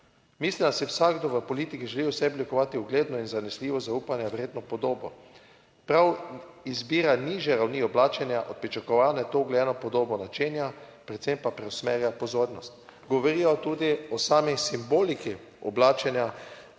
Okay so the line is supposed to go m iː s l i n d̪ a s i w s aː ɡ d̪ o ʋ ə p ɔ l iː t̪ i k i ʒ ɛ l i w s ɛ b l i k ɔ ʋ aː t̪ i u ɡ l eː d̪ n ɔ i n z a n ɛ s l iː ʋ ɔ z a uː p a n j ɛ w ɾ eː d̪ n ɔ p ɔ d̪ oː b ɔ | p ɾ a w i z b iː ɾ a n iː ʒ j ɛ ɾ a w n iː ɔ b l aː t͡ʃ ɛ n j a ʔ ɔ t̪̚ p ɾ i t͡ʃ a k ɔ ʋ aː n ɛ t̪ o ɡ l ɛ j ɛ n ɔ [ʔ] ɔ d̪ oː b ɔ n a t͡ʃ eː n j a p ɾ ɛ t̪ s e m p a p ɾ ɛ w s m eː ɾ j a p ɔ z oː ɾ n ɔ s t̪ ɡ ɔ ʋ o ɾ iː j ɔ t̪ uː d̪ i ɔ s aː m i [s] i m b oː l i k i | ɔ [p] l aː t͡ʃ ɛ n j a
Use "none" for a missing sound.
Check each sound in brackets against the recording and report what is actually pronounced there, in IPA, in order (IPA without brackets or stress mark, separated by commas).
p, s, b